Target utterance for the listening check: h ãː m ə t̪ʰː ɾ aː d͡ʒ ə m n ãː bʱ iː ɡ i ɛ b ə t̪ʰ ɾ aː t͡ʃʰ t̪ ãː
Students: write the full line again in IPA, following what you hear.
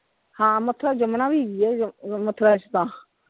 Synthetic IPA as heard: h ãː m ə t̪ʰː ɾ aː d͡ʒ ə m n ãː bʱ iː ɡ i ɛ m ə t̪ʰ ɾ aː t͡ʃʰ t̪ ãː